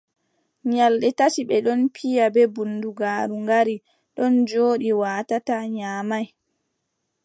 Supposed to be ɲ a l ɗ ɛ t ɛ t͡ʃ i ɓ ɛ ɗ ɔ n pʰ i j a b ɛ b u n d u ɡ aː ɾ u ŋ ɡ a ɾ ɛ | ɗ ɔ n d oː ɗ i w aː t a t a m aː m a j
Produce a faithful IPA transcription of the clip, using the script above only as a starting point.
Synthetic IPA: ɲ a l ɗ ɛ t a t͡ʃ i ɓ ɛ ɗ ɔ n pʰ i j a b ɛ b u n d u ɡ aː ɾ u ŋ ɡ a ɾ i | ɗ ɔ n d͡ʒ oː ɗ i w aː t a t a ɲ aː m a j